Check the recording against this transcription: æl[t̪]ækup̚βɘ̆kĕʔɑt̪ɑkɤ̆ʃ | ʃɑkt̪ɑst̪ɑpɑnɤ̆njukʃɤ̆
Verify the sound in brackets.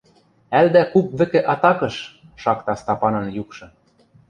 incorrect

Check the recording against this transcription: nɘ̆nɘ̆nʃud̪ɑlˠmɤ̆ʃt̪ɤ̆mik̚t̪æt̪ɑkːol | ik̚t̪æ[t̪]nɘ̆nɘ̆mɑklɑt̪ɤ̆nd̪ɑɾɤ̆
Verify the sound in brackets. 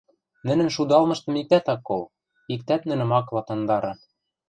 correct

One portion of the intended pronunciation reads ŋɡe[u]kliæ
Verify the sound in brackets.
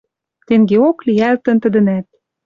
incorrect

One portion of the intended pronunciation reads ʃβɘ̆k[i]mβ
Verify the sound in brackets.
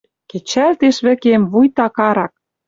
incorrect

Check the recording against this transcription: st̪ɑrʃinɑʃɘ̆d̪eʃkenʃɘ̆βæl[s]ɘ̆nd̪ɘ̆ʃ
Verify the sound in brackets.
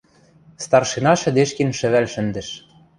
incorrect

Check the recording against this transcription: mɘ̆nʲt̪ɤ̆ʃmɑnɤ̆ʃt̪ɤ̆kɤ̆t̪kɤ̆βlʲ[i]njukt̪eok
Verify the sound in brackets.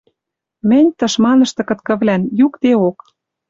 incorrect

